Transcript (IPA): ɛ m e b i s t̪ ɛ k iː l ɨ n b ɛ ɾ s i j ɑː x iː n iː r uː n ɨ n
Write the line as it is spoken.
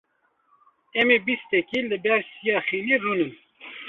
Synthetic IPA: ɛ m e b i s t̪ ɛ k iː l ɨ b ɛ ɾ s i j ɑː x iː n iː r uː n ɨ n